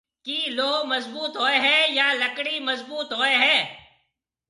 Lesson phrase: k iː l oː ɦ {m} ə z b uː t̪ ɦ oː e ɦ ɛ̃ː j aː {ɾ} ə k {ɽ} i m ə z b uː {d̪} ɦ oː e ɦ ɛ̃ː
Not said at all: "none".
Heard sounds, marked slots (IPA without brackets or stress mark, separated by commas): m, l, ɽ, t̪